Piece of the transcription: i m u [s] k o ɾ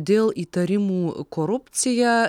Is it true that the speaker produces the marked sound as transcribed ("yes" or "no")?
no